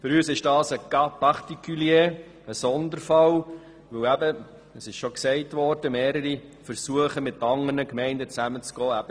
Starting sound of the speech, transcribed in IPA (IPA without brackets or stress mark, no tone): f